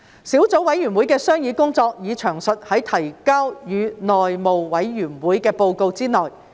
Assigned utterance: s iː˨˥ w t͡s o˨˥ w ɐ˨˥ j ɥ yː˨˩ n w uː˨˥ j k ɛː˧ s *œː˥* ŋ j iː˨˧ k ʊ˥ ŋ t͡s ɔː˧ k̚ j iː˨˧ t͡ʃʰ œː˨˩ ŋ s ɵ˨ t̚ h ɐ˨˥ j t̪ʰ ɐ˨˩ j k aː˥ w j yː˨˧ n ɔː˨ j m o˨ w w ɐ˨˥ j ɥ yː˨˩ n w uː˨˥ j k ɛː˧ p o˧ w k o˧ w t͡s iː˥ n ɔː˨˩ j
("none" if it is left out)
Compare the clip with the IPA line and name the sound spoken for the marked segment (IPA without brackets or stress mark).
œː˥